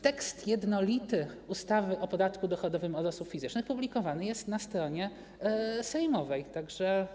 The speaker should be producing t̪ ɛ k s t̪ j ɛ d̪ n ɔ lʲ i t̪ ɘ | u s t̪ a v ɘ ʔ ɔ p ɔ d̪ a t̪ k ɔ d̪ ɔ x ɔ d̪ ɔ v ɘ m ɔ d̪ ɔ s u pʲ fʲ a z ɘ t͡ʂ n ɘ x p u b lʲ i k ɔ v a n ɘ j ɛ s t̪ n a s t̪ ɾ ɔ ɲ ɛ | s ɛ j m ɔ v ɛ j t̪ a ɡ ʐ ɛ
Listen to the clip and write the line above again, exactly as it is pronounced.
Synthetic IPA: t̪ ɛ k s t̪ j ɛ d̪ n ɔ lʲ i t̪ ɘ | u s t̪ a v ɘ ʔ ɔ p ɔ d̪ a t̪ k u d̪ ɔ x ɔ d̪ ɔ v ɘ m ɔ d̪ ɔ s u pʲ fʲ i z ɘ t͡ʂ n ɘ x p u b lʲ i k ɔ v a n ɘ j ɛ s t̪ n a s t̪ ɾ ɔ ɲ ɛ | s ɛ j m ɔ v ɛ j t̪ a ɡ ʐ ɛ